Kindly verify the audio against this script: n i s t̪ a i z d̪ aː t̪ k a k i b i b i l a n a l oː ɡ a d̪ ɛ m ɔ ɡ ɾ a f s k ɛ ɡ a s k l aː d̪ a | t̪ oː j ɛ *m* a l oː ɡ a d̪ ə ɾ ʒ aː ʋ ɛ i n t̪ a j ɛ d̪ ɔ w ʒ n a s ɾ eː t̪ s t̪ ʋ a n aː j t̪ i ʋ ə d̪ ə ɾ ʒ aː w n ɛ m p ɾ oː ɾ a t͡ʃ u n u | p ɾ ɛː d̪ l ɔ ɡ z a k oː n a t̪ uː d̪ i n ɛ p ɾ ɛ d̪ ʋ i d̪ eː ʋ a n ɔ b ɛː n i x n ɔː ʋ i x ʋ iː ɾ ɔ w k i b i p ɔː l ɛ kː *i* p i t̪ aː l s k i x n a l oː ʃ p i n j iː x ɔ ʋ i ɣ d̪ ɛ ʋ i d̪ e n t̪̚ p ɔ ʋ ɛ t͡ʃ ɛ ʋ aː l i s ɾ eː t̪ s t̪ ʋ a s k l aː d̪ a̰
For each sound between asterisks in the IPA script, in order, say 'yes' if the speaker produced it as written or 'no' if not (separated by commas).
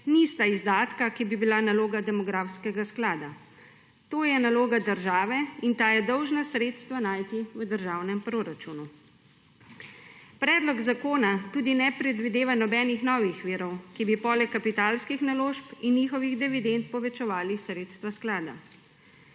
no, no